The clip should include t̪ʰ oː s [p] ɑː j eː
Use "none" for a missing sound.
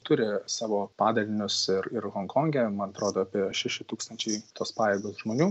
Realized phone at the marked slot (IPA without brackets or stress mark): p